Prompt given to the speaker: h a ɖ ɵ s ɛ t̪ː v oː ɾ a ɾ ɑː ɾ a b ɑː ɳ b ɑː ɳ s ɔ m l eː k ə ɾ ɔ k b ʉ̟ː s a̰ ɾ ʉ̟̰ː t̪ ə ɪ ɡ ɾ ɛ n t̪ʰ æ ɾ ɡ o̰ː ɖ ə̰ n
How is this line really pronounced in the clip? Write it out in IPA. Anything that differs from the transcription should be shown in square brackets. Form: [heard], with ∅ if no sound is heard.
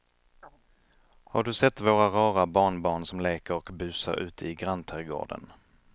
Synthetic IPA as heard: h a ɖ ɵ s ɛ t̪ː v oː ɾ a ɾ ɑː ɾ a b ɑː ɳ b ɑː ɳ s ɔ m l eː k ə ɾ ɔ k b ʉ̟ː s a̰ ɾ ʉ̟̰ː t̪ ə ɪ ɡ ɾ [a] n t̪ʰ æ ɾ ɡ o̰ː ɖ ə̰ n

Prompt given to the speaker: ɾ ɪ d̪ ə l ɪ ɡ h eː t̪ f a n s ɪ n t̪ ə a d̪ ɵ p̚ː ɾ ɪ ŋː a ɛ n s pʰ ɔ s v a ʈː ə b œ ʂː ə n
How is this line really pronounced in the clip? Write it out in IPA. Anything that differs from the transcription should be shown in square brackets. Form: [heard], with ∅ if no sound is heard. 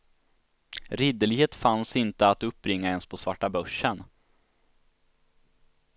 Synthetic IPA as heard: ɾ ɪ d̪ ə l ɪ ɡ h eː t̪ f a n s ɪ n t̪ ə a [t̪] ɵ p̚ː ɾ ɪ ŋː a ɛ n s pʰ ɔ s v a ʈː [a] b œ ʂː ə n

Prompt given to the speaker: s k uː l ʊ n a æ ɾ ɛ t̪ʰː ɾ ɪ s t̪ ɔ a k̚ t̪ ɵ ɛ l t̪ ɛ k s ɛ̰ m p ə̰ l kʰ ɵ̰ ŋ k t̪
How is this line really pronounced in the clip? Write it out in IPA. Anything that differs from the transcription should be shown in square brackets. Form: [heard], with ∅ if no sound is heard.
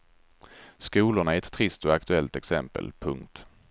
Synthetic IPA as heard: s k uː l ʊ [ɳ] a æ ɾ ɛ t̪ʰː ɾ ɪ s t̪ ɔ a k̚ t̪ ɵ ɛ l t̪ ɛ k s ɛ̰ m p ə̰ l [pʰ] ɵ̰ ŋ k t̪

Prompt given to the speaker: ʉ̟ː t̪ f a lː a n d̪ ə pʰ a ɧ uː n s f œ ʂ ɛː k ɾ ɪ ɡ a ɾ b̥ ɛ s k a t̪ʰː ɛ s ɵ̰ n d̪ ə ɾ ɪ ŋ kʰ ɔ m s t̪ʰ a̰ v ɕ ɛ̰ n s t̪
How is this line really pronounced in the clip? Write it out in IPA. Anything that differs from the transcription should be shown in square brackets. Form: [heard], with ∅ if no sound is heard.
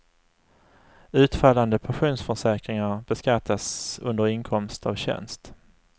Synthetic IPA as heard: ʉ̟ː t̪ f a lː a n d̪ ə pʰ a ɧ uː n s f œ ʂ ɛː k ɾ ɪ [ŋ] a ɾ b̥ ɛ s k a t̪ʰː [a] s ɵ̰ n d̪ ə ɾ ɪ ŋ kʰ ɔ m s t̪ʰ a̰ v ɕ ɛ̰ n s t̪

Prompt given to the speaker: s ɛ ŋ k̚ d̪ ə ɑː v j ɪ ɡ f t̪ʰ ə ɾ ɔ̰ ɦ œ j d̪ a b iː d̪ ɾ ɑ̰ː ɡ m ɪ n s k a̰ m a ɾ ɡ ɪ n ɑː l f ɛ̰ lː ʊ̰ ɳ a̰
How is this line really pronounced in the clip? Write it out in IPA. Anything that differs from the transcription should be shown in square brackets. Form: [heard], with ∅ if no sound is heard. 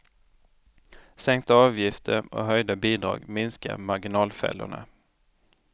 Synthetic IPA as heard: s ɛ ŋ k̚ [t̪] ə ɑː v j ɪ [∅] f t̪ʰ ə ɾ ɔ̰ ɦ œ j d̪ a b iː d̪ ɾ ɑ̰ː ɡ m ɪ n s k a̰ m a ɾ ɡ ɪ n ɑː l f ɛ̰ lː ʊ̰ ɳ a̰

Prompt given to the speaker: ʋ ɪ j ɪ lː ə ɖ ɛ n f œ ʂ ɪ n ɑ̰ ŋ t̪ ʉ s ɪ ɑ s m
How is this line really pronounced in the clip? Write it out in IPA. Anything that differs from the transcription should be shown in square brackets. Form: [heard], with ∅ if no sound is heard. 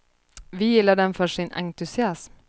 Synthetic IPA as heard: ʋ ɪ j ɪ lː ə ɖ ɛ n f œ ʂ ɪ n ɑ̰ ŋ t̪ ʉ s ɪ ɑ s m

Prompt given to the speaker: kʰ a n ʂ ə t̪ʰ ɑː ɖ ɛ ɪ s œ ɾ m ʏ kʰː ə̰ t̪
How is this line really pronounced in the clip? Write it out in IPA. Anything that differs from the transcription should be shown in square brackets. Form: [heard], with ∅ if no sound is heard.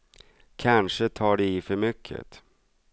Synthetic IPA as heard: kʰ a n ʂ ə t̪ʰ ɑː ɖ ɛ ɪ [f] œ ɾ m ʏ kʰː ə̰ t̪

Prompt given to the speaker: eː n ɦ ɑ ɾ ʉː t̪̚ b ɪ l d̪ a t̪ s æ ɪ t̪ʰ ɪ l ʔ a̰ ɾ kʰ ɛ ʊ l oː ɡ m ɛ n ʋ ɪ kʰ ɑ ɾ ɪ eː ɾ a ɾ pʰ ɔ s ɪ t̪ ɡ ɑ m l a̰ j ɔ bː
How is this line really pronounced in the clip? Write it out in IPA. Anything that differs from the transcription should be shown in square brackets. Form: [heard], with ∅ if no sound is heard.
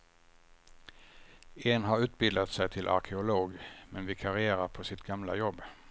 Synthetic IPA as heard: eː n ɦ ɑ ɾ ʉː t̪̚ b ɪ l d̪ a t̪ s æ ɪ t̪ʰ ɪ l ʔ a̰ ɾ kʰ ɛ ʊ l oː ɡ m ɛ n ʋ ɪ kʰ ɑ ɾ ɪ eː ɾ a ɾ pʰ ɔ s ɪ t̪ ɡ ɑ m l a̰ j ɔ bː

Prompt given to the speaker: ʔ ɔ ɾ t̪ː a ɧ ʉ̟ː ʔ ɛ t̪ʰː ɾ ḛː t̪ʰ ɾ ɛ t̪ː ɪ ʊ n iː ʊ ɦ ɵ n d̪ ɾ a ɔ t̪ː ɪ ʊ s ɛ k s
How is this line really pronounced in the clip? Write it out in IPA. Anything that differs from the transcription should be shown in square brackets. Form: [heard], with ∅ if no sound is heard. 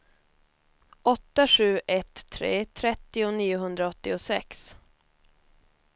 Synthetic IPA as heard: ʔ ɔ [∅] t̪ː a ɧ ʉ̟ː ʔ ɛ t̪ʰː ɾ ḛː t̪ʰ ɾ ɛ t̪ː ɪ ʊ n iː ʊ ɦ ɵ n d̪ ɾ a ɔ t̪ː ɪ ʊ s ɛ k s

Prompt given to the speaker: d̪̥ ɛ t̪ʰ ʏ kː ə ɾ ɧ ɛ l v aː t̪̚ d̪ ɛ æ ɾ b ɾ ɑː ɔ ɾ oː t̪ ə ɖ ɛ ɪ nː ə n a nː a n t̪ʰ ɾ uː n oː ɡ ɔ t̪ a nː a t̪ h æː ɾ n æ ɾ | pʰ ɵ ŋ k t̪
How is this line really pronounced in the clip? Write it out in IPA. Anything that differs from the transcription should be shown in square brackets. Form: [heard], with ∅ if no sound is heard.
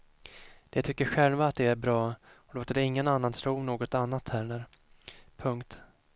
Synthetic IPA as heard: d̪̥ ɛ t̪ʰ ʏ kː ə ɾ ɧ ɛ l v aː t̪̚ d̪ ɛ æ ɾ b ɾ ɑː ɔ [l] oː t̪ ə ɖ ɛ ɪ [ŋː] ə n a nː a n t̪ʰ ɾ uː n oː ɡ ɔ t̪ a nː a t̪ h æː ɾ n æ ɾ | pʰ ɵ ŋ k t̪

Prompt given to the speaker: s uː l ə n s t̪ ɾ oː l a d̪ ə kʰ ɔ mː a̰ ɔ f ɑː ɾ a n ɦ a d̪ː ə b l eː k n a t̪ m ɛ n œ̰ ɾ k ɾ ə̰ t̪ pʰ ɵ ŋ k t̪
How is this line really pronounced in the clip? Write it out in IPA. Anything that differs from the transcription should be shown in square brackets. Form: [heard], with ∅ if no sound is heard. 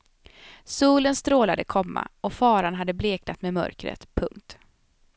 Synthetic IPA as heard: s uː l ə n s t̪ ɾ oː l a d̪ ə kʰ ɔ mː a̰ ɔ f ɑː ɾ a n ɦ a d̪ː ə b l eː k n a t̪ m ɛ [m] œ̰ ɾ k ɾ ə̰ t̪ pʰ ɵ ŋ k t̪

